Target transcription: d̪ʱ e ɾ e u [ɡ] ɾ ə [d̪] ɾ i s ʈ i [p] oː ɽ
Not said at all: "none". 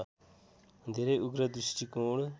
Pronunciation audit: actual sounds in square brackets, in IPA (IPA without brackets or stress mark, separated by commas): ɡ, d̪, k